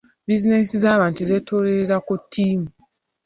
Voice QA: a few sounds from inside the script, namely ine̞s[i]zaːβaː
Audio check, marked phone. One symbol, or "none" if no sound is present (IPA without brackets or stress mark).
i